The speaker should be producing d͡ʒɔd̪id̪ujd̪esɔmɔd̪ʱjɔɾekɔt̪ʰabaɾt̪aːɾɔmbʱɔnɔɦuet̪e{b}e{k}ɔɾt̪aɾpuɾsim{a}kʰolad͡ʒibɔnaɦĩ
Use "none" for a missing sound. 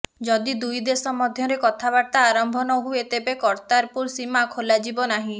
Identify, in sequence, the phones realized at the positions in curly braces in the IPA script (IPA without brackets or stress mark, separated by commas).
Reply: b, k, a